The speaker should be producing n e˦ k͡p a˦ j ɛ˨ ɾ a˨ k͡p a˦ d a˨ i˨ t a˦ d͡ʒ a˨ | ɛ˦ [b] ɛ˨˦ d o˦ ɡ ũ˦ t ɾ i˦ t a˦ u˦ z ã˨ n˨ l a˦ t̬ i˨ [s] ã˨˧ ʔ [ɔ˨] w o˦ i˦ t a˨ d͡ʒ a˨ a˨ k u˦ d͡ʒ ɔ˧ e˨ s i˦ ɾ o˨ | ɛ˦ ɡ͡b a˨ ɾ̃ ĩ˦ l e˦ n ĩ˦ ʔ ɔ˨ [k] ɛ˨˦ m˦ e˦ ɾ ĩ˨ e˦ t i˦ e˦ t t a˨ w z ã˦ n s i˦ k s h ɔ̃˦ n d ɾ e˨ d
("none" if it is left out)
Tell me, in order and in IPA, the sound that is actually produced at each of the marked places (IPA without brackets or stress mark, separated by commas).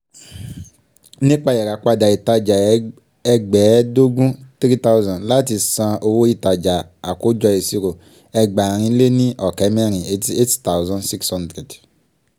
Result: ɡ͡b, s, o˨, k